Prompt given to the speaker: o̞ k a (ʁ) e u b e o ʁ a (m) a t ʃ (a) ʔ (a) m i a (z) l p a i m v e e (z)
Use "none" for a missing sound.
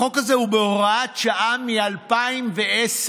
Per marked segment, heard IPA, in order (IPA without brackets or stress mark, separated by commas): z, none, a, a, none, s